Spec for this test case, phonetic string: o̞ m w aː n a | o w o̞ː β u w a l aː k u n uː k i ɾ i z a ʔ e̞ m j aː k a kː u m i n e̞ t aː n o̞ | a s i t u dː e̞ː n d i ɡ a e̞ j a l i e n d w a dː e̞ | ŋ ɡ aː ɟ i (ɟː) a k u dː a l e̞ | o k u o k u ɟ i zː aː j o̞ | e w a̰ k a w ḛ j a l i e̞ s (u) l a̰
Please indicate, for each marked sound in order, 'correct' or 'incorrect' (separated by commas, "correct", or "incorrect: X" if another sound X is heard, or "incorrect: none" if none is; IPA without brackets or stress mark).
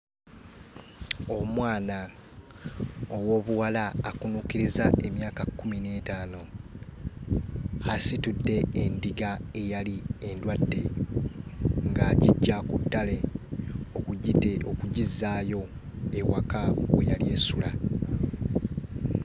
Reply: correct, correct